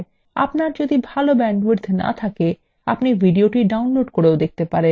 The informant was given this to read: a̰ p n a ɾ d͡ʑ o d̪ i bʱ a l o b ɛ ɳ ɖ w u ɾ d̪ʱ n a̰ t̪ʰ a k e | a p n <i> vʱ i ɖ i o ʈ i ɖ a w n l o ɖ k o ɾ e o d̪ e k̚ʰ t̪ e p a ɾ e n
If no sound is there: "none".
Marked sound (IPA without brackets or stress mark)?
i